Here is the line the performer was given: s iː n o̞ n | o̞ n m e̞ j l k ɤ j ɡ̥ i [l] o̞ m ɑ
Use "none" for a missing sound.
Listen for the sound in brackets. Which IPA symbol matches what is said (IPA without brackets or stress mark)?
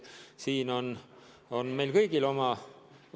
l